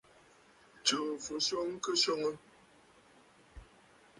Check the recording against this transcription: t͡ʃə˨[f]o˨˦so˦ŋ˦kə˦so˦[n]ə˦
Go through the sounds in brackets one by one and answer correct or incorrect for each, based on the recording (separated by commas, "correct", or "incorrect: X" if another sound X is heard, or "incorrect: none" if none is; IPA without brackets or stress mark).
correct, incorrect: ŋ